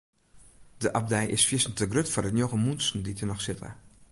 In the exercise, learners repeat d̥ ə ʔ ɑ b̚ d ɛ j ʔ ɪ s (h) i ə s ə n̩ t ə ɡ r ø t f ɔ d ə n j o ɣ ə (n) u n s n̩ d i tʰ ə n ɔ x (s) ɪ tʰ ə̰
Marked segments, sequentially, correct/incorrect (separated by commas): incorrect, incorrect, correct